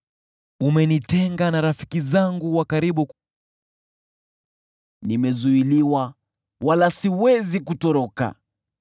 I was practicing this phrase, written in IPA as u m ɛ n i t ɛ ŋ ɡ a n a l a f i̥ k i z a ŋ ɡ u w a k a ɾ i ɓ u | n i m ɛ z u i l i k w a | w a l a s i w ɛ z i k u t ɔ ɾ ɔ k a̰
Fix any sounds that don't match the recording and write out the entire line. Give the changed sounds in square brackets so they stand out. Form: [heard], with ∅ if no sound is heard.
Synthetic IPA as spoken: u m ɛ n i t ɛ ŋ ɡ a n a [ɾ] a f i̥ k i z a ŋ ɡ u w a k a ɾ i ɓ u | n i m ɛ z u i l i [∅] w a | w a l a s i w ɛ z i k u t ɔ ɾ ɔ k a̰